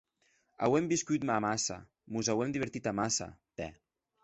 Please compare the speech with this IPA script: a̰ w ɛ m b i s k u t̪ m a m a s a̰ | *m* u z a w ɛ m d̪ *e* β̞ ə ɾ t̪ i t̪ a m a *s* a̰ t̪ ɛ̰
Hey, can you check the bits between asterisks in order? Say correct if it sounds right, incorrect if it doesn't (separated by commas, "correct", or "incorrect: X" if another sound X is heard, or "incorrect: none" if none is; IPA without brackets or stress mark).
correct, incorrect: i, correct